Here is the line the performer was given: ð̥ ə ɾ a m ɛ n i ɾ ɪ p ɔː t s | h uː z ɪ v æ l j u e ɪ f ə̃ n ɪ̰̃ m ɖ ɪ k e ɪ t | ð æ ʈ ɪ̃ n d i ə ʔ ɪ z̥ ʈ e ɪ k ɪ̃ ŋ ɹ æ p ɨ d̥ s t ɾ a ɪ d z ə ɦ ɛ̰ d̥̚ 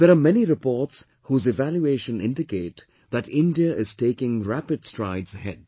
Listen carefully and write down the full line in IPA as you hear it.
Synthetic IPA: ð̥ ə ɾ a m ɛ n i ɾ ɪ p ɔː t s | h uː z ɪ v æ l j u e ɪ ʃ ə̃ n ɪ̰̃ n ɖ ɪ k e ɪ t | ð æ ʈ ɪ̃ n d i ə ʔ ɪ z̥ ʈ e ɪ k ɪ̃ ŋ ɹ æ p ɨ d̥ s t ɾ a ɪ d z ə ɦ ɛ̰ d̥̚